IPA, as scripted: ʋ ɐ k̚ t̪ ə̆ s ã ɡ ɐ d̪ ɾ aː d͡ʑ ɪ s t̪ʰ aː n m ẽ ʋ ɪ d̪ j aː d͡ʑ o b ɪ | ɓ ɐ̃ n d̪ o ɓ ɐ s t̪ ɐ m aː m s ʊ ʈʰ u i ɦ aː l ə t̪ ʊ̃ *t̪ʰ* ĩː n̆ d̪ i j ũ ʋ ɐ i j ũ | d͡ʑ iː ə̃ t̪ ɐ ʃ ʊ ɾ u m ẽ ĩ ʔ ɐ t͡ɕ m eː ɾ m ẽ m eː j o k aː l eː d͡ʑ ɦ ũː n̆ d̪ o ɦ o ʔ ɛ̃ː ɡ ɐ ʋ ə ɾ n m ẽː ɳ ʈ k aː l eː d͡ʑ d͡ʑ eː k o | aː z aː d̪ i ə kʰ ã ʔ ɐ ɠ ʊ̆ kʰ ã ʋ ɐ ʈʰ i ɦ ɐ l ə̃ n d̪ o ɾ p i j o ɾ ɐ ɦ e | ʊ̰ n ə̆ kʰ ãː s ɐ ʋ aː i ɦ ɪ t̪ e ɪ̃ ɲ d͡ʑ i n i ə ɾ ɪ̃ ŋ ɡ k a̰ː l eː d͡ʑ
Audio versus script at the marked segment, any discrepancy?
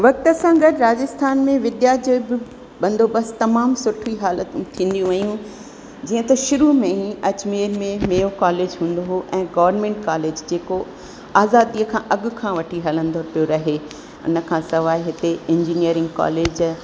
no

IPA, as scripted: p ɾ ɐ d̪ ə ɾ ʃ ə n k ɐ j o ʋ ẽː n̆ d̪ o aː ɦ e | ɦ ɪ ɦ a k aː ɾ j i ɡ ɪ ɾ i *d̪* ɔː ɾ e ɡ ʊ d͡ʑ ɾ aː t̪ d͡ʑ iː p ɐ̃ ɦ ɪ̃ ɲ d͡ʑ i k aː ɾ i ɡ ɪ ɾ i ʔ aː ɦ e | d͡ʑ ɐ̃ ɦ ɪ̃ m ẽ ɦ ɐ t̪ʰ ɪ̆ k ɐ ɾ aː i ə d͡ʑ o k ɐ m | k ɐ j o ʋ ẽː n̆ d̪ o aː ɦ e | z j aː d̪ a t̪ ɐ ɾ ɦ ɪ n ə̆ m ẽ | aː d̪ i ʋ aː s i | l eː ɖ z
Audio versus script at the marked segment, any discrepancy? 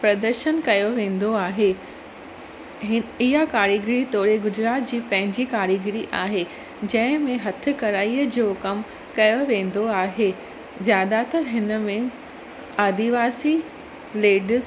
yes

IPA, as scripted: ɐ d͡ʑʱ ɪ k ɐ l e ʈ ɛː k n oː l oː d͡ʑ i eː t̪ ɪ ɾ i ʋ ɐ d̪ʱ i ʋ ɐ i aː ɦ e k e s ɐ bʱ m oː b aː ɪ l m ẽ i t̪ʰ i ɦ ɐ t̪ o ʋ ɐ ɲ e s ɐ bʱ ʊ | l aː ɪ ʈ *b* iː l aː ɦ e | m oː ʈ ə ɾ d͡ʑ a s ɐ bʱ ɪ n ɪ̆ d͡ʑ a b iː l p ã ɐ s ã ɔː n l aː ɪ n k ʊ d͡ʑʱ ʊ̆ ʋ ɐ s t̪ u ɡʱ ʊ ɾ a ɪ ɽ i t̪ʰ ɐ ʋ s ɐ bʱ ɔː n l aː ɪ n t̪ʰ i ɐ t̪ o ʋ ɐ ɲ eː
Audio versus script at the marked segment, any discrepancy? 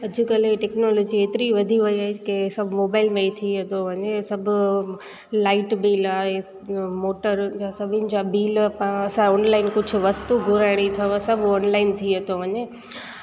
no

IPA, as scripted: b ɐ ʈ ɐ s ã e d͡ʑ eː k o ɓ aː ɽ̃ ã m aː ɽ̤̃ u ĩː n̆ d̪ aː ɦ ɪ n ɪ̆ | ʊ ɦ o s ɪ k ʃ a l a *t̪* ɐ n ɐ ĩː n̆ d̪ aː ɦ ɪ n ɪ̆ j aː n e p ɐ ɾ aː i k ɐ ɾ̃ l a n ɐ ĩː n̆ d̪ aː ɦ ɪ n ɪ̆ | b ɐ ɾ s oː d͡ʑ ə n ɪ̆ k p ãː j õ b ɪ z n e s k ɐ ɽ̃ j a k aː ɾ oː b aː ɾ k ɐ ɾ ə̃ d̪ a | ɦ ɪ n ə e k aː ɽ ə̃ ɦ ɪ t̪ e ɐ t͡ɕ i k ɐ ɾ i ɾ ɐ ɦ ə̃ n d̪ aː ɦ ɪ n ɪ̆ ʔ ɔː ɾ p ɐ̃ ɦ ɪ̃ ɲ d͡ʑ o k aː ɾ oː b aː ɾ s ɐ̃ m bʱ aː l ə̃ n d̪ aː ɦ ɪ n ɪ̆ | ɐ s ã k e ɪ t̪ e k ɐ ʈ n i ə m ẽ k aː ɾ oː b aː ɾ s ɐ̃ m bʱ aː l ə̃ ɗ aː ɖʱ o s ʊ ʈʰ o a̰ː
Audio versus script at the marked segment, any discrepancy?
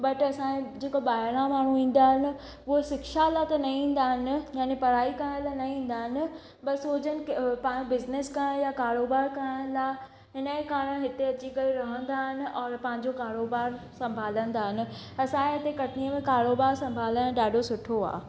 no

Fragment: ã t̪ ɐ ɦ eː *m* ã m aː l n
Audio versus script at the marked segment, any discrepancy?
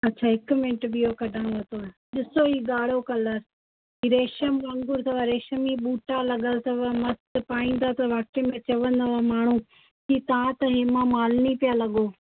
no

